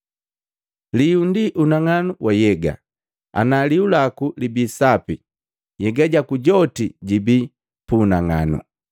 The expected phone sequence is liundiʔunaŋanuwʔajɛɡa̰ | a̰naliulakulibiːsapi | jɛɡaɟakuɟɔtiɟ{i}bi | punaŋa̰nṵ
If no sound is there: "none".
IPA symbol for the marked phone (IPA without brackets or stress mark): i